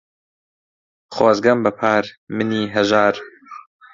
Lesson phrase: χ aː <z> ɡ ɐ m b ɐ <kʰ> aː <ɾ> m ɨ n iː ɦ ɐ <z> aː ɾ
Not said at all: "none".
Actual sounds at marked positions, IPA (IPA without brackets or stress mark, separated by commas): z, pʰ, ɾ, ʒ